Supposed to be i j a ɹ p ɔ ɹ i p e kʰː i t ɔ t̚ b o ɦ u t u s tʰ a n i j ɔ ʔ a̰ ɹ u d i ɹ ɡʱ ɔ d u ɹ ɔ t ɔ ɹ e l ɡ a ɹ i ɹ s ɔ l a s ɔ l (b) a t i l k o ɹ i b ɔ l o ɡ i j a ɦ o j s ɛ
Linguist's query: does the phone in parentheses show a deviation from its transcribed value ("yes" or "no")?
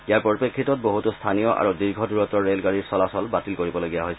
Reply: no